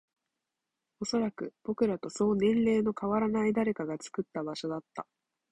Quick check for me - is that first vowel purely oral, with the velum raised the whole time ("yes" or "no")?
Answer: yes